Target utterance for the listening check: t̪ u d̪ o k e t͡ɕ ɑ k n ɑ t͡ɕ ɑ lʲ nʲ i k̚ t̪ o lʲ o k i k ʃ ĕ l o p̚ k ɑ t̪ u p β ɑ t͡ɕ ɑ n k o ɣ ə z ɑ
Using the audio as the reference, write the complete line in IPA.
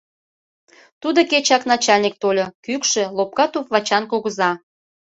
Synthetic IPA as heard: t̪ u d̪ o k e t͡ɕ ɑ k n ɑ t͡ɕ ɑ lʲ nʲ i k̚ t̪ o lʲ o k y k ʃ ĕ l o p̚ k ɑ t̪ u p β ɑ t͡ɕ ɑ n k o ɣ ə z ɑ